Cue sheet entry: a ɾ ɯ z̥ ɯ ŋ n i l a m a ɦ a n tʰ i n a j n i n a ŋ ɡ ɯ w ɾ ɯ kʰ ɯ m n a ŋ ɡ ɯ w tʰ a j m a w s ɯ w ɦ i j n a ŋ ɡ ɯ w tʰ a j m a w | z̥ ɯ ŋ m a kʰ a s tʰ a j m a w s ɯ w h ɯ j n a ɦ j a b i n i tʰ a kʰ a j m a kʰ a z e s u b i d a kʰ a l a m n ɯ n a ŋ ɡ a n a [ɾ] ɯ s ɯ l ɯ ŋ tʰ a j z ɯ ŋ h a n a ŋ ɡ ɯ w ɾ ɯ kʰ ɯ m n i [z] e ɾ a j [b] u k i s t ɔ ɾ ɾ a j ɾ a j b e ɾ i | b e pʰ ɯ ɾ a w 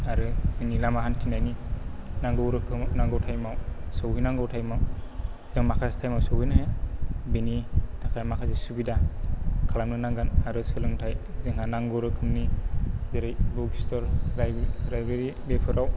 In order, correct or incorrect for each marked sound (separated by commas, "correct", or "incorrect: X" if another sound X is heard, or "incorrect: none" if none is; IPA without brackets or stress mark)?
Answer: correct, correct, correct